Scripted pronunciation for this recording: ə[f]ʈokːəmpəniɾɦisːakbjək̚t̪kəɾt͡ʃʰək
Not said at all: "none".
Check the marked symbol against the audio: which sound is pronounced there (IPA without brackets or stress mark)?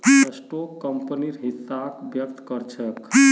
s